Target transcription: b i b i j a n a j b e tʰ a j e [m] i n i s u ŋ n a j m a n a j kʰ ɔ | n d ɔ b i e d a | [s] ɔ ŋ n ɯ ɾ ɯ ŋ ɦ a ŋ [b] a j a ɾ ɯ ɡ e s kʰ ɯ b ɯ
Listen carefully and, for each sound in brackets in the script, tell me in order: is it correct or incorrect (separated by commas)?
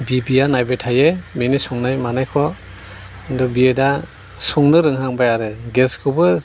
correct, correct, correct